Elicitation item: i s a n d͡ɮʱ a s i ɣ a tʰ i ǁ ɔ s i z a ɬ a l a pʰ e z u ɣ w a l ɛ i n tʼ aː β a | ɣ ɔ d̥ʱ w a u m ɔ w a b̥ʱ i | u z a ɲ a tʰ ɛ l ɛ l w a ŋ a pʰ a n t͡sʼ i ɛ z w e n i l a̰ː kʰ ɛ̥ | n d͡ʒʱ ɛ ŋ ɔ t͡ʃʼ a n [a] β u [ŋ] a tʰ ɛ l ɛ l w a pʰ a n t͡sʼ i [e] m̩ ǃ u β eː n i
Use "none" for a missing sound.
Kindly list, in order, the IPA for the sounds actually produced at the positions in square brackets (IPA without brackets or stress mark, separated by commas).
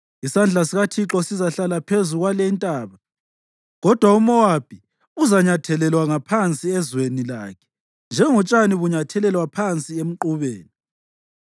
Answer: i, ɲ, e